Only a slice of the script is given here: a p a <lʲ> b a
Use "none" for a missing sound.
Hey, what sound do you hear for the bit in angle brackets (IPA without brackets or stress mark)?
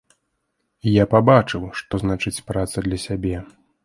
none